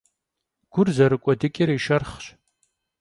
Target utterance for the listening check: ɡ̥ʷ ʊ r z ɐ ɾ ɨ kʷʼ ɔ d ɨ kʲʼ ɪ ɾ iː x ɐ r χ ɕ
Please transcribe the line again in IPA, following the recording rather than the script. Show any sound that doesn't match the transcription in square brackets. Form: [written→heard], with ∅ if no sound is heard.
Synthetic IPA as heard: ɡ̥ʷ ʊ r z ɐ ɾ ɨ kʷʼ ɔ d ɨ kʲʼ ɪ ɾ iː [x→ʃ] ɐ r χ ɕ